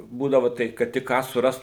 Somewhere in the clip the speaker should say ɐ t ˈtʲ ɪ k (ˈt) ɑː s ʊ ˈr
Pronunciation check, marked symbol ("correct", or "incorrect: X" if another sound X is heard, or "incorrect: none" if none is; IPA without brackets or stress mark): incorrect: k